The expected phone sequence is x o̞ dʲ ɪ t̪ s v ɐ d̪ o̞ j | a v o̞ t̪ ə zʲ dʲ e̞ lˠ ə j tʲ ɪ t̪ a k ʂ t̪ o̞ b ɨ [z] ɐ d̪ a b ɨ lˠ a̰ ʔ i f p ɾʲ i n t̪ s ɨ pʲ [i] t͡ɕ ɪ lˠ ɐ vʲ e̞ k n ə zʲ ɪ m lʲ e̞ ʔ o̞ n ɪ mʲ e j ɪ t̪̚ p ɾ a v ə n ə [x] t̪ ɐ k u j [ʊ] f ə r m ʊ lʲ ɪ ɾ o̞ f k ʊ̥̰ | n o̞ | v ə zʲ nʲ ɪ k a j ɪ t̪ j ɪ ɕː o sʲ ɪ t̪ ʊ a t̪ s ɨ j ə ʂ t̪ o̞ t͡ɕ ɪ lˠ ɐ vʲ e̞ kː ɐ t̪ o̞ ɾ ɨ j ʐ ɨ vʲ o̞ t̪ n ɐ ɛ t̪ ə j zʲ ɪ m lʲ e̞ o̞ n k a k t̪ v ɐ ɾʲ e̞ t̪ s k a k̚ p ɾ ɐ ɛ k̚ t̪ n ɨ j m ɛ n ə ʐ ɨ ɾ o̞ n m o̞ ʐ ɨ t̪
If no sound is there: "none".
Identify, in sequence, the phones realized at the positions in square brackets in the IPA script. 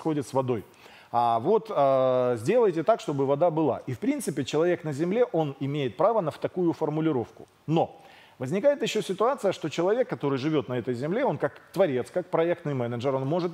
v, ɪ, f, ʊ

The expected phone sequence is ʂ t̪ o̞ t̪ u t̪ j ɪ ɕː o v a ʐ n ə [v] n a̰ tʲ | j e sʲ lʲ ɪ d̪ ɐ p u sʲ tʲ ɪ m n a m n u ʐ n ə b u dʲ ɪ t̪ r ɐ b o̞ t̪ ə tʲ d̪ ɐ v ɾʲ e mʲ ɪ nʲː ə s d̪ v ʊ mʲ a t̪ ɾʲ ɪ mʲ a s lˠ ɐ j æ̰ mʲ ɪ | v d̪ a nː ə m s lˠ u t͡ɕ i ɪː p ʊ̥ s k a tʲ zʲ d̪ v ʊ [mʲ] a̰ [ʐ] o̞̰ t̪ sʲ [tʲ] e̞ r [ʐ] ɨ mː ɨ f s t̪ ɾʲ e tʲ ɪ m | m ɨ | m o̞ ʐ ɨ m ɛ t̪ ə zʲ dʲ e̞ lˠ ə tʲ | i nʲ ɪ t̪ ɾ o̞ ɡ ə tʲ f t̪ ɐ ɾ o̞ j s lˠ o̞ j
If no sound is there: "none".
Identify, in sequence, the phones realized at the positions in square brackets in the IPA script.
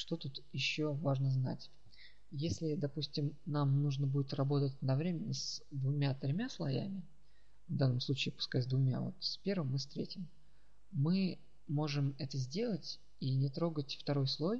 z, mʲ, v, pʲ, v

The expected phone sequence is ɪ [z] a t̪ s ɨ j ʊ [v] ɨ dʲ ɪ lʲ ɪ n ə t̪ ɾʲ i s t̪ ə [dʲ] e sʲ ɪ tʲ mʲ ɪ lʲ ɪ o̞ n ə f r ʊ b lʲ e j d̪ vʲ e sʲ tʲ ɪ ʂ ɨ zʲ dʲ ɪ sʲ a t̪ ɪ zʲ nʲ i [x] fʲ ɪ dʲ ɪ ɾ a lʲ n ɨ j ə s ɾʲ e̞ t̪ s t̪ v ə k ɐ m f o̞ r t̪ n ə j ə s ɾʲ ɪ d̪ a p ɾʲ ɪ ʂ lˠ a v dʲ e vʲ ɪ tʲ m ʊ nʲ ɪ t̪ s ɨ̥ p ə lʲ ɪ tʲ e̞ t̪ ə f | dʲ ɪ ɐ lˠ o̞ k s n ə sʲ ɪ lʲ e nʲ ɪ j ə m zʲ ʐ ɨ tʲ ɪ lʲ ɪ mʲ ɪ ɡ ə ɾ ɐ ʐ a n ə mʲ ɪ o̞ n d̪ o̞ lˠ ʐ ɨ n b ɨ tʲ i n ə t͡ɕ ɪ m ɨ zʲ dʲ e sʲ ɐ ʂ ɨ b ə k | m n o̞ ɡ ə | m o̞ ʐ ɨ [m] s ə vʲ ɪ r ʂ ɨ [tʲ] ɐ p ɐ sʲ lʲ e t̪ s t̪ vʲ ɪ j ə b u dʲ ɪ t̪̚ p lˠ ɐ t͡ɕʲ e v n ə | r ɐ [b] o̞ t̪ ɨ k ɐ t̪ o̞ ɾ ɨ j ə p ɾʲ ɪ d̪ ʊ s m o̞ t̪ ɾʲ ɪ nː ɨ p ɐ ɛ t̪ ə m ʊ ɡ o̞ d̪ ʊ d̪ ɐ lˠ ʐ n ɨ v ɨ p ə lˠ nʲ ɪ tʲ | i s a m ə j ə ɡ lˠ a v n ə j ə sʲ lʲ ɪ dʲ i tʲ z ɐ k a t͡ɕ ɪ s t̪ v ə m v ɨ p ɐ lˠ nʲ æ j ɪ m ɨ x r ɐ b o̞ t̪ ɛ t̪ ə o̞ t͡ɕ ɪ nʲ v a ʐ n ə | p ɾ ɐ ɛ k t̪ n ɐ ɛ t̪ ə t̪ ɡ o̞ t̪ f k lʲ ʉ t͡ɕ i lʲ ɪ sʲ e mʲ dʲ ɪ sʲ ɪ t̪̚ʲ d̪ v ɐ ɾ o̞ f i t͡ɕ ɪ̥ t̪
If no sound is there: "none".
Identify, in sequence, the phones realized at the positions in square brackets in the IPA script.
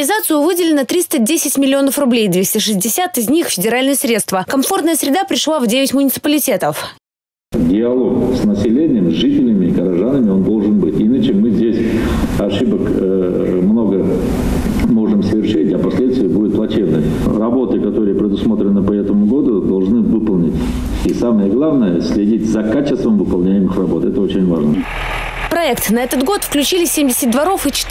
z, v, dʲ, x, m, tʲ, b

